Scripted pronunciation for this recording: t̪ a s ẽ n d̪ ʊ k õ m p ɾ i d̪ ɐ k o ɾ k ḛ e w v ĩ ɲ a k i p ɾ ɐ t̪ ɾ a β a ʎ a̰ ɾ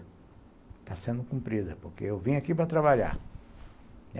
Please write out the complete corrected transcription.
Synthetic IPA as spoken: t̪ a s ẽ n d̪ ʊ k ũ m p ɾ i d̪ ɐ p o ɾ k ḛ e w v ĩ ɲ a k i p ɾ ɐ t̪ ɾ a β a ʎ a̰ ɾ